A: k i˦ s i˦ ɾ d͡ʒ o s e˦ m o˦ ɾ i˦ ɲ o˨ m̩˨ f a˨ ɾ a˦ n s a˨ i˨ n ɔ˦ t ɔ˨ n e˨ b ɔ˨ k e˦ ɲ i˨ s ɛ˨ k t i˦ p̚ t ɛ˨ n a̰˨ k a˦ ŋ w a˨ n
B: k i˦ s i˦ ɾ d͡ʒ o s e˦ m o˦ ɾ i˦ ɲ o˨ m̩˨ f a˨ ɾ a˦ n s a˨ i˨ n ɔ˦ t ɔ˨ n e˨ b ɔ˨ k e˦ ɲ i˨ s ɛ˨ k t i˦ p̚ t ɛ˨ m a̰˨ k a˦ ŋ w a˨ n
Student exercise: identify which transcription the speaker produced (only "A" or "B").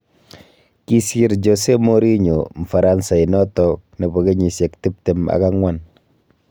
B